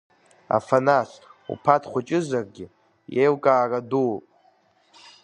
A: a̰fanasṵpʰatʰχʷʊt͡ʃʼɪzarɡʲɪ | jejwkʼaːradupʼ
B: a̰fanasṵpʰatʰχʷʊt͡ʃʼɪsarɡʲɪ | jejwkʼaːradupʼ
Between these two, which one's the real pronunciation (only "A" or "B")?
A